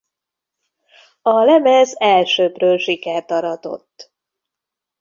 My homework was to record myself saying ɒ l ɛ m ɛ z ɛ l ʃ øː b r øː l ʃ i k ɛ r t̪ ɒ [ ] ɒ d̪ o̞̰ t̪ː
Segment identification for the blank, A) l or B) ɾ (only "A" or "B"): B